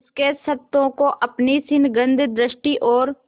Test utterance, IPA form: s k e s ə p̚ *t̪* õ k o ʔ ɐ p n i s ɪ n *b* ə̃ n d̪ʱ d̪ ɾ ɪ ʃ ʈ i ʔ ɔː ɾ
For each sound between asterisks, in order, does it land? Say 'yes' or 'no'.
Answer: yes, no

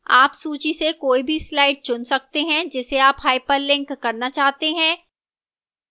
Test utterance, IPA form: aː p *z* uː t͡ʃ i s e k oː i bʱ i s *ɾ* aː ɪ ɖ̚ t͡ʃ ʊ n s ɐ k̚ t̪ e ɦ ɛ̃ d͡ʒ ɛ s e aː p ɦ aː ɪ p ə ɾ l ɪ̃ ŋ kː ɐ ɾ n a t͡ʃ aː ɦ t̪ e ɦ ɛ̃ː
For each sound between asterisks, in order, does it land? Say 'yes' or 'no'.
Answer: no, no

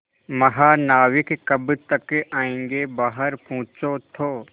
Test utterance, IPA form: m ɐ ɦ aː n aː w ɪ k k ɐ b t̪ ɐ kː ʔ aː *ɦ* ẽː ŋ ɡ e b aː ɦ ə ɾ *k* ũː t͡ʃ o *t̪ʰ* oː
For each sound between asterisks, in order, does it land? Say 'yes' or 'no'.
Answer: no, no, yes

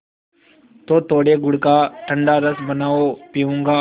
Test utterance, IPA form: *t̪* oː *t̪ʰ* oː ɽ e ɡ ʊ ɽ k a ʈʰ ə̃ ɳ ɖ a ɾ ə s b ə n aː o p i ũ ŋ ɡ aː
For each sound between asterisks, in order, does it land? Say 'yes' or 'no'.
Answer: yes, no

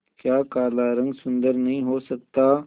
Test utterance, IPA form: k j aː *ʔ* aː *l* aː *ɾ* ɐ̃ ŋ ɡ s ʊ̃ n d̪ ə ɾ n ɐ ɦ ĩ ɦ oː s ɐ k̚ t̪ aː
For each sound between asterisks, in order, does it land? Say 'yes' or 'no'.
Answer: no, yes, yes

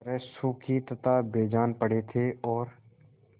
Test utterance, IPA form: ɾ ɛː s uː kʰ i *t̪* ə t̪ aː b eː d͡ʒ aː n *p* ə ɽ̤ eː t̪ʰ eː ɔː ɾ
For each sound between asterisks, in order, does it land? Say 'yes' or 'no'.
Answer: yes, yes

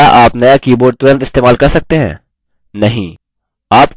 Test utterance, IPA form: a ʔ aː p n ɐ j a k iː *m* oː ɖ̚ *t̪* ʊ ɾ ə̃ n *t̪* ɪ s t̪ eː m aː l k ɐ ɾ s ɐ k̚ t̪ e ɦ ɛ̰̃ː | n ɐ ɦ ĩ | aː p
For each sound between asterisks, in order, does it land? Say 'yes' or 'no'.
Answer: no, yes, yes

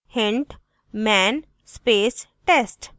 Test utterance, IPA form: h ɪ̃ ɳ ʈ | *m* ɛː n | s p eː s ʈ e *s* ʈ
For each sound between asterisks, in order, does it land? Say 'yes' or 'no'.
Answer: yes, yes

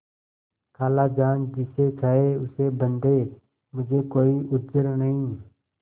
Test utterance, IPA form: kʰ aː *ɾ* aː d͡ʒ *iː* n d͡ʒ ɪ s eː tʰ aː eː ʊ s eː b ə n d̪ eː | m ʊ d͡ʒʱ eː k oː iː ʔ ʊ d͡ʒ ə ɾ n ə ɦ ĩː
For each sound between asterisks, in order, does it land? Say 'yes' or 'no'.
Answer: no, no

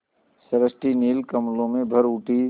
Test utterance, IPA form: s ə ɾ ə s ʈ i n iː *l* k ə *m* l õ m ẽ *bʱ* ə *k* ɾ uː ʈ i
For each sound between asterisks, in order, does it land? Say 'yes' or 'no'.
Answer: yes, yes, yes, no

